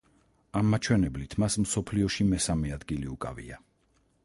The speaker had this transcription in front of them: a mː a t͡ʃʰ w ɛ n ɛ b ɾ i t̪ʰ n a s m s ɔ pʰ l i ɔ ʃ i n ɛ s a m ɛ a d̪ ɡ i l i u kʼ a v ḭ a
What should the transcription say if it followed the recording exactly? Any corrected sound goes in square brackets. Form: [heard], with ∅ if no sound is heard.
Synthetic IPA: a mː a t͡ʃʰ w ɛ n ɛ b [l] i t̪ʰ [m] a s m s ɔ pʰ l i ɔ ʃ i [m] ɛ s a m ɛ a d̪ ɡ i l i u kʼ a v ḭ a